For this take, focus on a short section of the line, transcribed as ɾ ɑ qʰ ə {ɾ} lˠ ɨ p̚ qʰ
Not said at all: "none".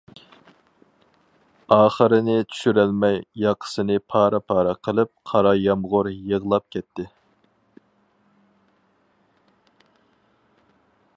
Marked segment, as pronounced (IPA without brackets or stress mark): none